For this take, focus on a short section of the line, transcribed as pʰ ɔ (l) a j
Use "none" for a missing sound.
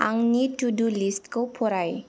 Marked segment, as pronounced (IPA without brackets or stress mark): ɾ